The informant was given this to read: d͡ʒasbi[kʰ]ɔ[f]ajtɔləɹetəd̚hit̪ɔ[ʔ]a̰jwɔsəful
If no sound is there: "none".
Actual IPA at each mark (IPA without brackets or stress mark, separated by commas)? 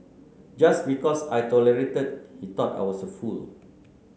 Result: k, s, t